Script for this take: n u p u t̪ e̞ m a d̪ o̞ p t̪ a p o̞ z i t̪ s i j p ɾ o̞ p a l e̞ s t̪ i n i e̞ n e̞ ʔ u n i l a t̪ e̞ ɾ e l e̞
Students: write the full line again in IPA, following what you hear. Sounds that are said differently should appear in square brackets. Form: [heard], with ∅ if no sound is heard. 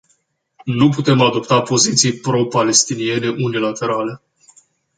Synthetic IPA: n u p u t̪ e̞ m a d̪ o̞ p t̪ a p o̞ z i t̪ s i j p ɾ o̞ p a l e̞ s t̪ i n i e̞ n e̞ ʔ u n i l a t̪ e̞ ɾ [a] l e̞